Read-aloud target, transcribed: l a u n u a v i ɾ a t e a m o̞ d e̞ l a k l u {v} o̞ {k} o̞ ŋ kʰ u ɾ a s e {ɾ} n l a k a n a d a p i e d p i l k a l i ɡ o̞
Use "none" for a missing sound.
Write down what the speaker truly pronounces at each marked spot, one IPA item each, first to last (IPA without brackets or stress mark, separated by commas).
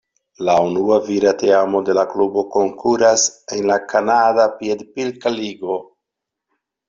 b, k, none